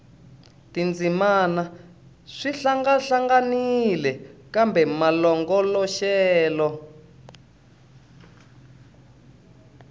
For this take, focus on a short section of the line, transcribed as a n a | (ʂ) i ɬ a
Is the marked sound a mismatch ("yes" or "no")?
no